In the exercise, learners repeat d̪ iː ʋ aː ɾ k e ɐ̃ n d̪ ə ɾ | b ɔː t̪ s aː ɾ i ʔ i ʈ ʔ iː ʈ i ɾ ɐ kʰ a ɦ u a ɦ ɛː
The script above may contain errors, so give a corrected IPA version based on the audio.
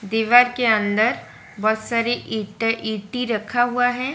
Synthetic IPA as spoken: d̪ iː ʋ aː ɾ k e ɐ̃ n d̪ ə ɾ | b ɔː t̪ s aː ɾ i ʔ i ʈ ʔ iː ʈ i ɾ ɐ kʰ a ɦ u a ɦ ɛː